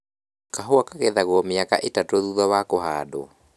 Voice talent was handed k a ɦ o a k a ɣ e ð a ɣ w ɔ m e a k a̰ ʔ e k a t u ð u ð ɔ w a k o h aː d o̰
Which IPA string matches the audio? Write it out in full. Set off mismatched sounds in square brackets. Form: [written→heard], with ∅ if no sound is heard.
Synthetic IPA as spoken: k a ɦ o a k a ɣ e ð a ɣ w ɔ m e a k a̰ ʔ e [k→t] a t [u→o] ð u ð ɔ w a k o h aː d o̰